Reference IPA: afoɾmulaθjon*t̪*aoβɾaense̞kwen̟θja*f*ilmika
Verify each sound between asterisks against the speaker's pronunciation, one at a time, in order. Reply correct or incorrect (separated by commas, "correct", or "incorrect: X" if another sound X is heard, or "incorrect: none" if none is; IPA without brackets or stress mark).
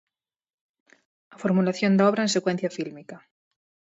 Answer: incorrect: d̪, correct